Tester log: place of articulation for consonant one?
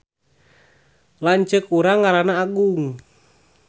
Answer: alveolar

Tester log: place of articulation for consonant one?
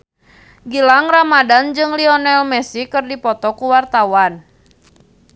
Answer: velar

